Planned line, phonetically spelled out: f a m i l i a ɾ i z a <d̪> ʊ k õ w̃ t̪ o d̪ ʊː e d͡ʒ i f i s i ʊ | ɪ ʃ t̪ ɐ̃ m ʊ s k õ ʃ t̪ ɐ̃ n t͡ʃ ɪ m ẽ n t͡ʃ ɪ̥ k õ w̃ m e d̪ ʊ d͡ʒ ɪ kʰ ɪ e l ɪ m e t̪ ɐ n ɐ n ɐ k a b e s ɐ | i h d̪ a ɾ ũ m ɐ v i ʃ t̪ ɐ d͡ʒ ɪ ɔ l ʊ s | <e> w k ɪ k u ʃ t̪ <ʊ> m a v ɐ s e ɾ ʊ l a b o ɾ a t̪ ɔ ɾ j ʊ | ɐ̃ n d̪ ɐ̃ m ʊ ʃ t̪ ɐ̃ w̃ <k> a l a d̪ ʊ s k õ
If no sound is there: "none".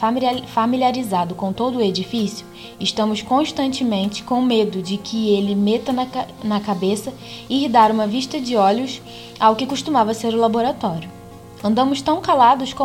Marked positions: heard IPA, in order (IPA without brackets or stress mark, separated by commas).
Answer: d̪, a, u, k